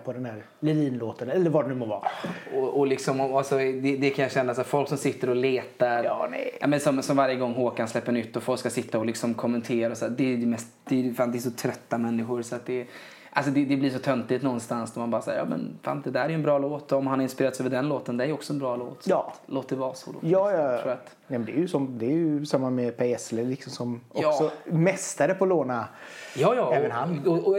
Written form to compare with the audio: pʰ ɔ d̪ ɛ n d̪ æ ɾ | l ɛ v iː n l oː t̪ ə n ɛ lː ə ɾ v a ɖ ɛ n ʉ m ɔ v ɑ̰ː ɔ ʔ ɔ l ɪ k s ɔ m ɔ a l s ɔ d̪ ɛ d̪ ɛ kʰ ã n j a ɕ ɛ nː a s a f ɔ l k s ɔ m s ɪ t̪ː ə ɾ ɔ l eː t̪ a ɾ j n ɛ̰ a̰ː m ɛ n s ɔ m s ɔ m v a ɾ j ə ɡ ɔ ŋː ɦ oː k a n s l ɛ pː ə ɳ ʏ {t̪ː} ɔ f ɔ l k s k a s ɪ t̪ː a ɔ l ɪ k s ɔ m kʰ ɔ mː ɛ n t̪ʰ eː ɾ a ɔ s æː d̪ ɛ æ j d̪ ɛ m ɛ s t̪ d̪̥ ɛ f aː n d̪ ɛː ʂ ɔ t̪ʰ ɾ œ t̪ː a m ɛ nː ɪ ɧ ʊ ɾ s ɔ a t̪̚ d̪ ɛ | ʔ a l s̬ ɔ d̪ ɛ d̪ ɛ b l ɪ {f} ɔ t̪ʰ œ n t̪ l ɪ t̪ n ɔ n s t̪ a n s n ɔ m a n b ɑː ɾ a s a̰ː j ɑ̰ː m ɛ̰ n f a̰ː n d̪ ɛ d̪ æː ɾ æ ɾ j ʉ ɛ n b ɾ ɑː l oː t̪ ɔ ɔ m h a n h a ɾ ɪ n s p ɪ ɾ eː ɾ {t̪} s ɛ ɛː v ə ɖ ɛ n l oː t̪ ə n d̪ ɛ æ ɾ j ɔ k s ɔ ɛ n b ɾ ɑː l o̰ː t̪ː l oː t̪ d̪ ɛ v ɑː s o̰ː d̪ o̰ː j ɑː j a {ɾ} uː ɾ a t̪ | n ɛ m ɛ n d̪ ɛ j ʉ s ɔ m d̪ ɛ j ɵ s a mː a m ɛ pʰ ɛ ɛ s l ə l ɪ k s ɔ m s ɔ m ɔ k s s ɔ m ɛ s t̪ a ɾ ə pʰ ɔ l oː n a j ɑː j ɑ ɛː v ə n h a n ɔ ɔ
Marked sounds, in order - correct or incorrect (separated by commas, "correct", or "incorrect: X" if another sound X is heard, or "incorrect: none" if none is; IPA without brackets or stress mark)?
correct, incorrect: ʂ, correct, correct